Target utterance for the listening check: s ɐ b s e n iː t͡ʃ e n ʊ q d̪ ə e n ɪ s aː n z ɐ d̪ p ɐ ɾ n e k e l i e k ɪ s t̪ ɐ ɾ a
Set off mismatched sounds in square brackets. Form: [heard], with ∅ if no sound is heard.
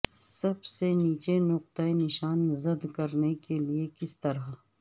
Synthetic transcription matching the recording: s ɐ b s e n iː t͡ʃ e n ʊ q [t̪] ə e n ɪ [ʃ] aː n z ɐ d̪ [k] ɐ ɾ n e k e l i e k ɪ s t̪ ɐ ɾ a